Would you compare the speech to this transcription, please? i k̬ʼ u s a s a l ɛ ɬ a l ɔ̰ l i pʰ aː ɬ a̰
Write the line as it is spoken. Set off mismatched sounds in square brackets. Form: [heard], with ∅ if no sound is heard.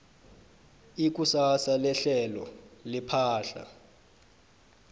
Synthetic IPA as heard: i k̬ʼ u s a s a l ɛ ɬ [ɛ] l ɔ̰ l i pʰ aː ɬ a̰